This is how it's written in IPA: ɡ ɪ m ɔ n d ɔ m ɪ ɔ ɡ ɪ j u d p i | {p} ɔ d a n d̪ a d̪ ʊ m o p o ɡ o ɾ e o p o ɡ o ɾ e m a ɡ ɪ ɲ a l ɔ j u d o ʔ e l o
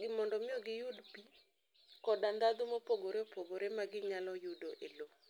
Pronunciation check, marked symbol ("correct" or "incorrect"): incorrect